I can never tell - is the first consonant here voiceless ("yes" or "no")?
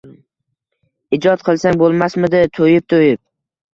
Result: no